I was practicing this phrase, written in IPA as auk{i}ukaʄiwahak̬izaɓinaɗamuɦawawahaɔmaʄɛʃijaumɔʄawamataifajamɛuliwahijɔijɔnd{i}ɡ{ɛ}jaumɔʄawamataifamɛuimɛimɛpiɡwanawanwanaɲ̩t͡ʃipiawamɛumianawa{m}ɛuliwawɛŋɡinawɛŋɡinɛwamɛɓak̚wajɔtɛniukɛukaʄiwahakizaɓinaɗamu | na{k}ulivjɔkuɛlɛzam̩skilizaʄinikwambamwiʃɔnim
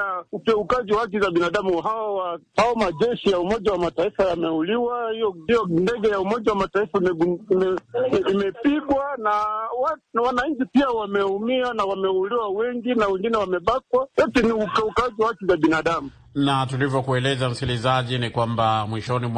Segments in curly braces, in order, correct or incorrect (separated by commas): incorrect, incorrect, correct, correct, incorrect